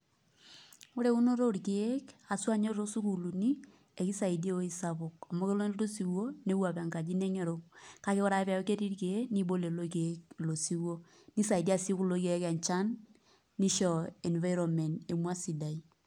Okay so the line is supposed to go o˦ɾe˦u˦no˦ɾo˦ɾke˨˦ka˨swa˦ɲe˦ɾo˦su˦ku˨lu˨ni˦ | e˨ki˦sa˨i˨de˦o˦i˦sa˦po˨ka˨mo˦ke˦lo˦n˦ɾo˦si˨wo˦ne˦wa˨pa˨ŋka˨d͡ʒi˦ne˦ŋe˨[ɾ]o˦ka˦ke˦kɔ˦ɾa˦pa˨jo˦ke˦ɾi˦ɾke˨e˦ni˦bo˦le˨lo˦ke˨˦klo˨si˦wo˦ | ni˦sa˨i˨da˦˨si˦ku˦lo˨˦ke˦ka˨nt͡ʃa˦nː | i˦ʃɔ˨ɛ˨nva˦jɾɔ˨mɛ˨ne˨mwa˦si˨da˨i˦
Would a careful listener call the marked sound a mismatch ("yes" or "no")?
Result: no